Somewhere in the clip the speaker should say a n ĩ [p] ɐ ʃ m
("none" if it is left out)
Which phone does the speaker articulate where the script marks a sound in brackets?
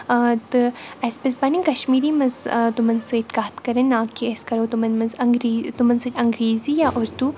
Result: k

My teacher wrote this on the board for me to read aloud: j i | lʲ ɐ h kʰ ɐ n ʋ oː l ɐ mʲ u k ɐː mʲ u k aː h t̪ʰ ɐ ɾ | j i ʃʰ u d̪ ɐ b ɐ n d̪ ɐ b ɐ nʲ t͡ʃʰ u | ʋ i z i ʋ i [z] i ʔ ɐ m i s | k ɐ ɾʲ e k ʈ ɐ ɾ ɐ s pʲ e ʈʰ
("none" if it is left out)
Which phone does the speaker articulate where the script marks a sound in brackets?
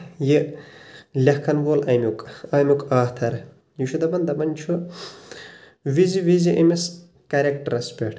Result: z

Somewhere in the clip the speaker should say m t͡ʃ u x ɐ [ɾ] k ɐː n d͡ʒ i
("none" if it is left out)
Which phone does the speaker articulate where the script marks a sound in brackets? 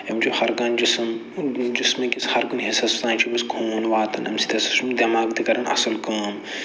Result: ɾ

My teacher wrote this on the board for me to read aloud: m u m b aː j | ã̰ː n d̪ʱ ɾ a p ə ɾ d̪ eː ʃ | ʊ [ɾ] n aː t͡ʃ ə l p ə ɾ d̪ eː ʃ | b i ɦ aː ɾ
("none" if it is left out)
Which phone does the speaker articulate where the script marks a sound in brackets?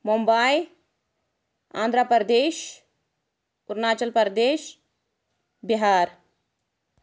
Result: ɾ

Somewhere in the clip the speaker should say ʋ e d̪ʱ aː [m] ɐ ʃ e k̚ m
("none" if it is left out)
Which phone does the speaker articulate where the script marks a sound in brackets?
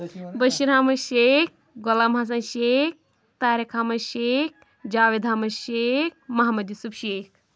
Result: m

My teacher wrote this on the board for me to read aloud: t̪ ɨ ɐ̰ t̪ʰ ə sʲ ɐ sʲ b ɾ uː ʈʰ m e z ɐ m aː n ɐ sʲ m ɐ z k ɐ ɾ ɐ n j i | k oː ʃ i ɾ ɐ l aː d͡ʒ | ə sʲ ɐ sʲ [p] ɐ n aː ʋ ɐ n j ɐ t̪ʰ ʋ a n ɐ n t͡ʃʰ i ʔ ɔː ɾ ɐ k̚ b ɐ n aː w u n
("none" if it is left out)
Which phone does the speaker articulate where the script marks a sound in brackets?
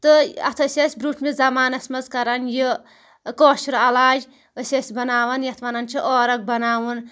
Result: b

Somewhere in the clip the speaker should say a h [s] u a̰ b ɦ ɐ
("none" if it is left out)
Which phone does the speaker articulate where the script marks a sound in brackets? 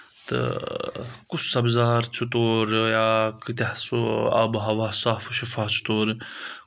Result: s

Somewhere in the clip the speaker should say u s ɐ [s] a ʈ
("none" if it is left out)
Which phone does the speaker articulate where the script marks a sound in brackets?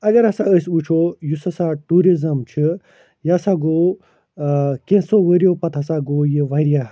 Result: s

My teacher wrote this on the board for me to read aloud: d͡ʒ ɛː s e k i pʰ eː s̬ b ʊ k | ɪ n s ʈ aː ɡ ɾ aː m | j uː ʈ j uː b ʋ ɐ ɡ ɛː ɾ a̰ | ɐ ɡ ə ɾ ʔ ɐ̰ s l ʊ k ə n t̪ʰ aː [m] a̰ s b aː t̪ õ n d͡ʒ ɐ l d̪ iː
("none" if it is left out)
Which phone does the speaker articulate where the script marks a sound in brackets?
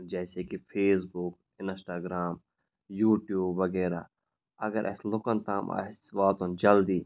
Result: m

